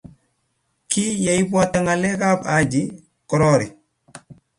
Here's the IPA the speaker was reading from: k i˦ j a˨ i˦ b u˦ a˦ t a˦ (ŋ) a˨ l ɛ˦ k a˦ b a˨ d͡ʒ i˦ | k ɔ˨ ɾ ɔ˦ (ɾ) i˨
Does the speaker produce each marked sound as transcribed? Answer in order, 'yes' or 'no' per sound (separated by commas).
yes, yes